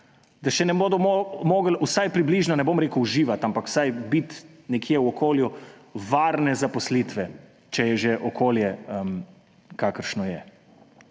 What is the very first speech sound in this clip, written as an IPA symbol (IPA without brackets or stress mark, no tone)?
d̪